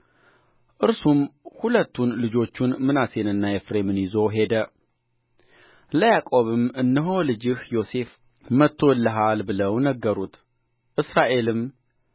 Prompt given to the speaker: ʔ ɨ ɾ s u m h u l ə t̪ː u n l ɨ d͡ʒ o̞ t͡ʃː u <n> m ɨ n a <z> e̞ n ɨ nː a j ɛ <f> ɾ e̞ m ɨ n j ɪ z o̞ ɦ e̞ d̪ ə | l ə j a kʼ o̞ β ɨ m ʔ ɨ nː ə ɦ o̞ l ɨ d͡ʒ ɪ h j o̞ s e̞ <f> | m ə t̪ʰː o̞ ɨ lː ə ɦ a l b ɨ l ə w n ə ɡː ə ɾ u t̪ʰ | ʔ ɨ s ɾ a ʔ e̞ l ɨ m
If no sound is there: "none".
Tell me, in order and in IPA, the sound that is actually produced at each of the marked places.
n, s, f, f

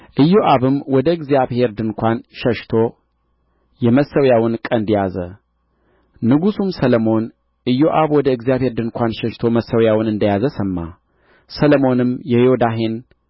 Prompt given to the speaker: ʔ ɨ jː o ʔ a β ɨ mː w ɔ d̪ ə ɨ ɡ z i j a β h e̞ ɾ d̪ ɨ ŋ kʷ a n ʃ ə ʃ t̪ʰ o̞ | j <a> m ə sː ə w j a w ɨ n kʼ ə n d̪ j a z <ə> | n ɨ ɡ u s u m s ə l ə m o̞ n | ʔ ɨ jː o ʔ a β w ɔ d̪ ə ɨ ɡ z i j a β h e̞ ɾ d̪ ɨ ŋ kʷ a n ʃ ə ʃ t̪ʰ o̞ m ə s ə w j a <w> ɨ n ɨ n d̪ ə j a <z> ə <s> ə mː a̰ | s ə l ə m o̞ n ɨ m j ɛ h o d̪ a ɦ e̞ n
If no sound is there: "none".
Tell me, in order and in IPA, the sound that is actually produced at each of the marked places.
ɛ, ə, w, z, s

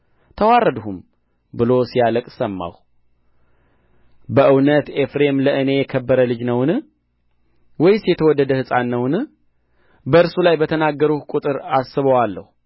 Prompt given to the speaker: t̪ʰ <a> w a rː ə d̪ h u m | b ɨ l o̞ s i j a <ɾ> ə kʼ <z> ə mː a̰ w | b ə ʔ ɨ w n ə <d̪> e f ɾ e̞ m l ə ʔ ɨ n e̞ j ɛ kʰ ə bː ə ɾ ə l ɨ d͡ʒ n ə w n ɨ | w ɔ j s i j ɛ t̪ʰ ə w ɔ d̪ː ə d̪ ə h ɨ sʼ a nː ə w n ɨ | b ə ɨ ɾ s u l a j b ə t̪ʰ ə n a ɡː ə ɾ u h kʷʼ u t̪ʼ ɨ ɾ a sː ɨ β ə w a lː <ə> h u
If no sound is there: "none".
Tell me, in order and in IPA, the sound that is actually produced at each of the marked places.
ə, l, s, t̪, ə

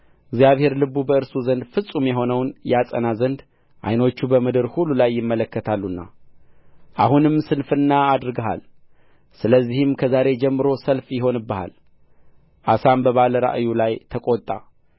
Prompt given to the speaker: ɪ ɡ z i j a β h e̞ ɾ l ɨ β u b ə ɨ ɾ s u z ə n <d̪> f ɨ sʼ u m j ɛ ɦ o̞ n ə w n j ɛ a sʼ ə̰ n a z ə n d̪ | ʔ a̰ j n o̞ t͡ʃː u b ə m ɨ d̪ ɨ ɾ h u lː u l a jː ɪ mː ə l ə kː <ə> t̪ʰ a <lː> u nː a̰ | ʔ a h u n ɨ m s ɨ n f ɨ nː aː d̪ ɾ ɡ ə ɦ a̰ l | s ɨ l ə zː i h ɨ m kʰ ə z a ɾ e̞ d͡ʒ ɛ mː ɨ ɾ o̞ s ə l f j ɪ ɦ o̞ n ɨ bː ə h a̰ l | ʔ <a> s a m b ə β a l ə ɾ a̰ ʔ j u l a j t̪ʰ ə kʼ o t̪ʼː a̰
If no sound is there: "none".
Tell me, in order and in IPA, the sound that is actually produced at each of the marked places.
d̪, ə, lː, a

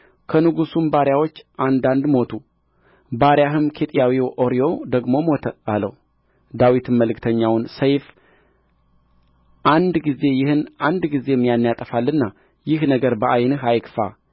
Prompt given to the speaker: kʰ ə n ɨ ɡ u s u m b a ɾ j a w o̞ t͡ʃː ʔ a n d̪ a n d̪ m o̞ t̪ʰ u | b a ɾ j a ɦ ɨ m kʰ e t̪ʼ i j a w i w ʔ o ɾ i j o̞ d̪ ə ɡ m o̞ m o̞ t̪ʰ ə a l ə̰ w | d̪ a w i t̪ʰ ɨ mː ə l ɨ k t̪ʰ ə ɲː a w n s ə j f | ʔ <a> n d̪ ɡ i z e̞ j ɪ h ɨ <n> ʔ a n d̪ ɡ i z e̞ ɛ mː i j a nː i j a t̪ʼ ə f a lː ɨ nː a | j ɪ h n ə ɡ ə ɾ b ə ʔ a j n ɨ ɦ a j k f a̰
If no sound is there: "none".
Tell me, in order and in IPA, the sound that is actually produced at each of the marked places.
a, n

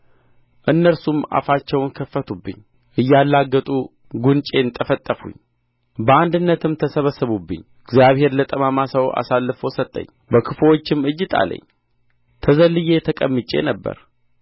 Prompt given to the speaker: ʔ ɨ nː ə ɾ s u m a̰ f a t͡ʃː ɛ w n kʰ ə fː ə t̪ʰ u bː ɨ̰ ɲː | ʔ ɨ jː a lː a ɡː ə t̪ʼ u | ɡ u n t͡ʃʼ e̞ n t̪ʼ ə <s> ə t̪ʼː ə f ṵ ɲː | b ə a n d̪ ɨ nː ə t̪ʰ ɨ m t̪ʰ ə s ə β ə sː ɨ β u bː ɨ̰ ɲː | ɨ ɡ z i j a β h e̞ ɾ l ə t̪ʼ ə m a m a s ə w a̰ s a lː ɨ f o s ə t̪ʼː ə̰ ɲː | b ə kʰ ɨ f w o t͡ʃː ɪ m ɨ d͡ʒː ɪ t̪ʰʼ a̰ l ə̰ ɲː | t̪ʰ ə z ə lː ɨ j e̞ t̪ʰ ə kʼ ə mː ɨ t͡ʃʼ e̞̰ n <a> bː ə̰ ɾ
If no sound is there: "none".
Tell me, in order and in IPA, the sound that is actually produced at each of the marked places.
f, ə

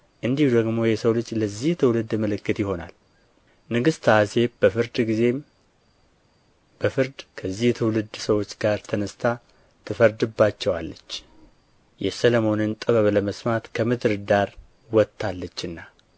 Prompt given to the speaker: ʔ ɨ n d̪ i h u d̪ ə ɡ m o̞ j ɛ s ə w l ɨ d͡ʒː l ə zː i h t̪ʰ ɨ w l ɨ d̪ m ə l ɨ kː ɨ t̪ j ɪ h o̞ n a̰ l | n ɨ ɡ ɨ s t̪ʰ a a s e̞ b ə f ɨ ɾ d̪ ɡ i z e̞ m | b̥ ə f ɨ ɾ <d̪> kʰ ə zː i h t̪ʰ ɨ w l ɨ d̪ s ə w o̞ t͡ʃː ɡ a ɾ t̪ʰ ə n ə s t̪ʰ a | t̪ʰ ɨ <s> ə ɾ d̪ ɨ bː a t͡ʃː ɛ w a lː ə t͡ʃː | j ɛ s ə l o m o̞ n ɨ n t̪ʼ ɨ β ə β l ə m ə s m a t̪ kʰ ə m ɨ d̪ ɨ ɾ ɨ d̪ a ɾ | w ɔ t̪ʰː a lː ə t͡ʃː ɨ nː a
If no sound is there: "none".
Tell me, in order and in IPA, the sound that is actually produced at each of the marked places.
d̪, f

